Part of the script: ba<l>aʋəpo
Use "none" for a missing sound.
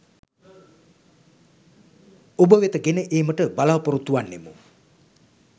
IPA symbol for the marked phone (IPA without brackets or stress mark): l